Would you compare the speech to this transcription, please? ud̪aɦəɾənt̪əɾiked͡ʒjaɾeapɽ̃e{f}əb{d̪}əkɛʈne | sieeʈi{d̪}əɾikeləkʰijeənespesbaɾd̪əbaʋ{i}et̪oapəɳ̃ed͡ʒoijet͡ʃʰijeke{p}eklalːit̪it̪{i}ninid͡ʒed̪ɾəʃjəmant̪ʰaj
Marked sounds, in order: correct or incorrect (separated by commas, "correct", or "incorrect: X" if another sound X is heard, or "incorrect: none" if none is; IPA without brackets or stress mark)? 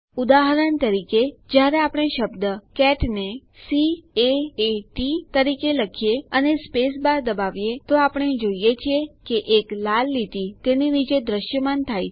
incorrect: ʃ, correct, incorrect: t̪, incorrect: j, incorrect: ʔ, incorrect: e